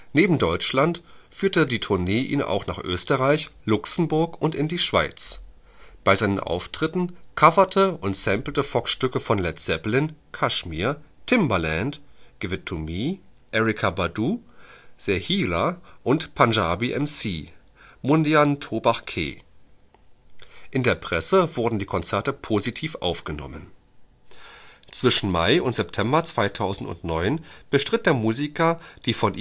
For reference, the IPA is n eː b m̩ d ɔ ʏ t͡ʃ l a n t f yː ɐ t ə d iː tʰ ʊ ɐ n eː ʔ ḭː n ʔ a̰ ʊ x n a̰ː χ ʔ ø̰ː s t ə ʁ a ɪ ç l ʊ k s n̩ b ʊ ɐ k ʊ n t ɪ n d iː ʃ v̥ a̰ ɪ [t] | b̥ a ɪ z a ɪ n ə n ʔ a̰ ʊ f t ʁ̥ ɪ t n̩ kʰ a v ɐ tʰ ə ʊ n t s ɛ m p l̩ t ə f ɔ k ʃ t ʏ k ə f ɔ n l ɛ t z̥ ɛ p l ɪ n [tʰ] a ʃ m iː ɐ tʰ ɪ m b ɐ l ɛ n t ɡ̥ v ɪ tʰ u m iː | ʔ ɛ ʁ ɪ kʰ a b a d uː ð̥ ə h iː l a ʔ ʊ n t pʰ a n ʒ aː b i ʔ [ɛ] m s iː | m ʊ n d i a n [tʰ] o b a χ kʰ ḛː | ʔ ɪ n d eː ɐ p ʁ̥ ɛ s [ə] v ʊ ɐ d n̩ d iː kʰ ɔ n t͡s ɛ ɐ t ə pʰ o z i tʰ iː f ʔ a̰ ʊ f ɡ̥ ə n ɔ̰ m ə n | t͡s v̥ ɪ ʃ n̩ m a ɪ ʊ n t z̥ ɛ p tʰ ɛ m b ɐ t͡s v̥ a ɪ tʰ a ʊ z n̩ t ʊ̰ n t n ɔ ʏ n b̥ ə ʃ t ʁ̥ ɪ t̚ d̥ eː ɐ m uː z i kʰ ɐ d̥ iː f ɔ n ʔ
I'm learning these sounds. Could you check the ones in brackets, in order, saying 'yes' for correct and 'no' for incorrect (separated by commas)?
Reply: no, no, yes, yes, yes